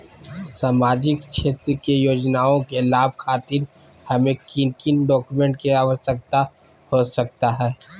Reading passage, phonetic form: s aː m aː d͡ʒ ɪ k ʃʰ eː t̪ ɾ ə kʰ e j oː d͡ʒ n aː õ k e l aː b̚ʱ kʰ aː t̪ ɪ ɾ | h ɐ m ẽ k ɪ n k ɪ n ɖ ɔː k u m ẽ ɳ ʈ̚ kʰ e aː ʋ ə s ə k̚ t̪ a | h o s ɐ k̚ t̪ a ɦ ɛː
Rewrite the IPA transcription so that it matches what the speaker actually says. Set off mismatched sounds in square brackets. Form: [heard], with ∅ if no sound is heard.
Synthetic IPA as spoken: s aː m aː d͡ʒ ɪ k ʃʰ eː t̪ ɾ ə [k] e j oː d͡ʒ n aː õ k e l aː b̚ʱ kʰ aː t̪ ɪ ɾ | h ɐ m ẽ k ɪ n k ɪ n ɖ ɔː k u m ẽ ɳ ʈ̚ [k] e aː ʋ ə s ə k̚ t̪ a | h o s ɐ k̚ t̪ a ɦ ɛː